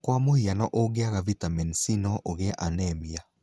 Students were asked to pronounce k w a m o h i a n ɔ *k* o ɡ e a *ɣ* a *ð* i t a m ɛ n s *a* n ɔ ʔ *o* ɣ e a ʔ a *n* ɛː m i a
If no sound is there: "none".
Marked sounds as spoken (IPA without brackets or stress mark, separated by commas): ʔ, ɣ, v, i, o, n